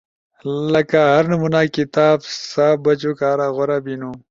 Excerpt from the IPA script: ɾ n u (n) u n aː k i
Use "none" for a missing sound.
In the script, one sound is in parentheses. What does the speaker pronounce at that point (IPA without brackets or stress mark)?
m